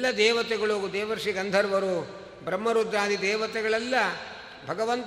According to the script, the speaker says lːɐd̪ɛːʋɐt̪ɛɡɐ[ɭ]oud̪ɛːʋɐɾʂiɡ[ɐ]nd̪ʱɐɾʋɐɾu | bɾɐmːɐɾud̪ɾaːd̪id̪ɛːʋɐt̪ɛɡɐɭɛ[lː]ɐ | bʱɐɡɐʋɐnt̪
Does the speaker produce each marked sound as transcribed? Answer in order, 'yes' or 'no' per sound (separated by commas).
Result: yes, yes, yes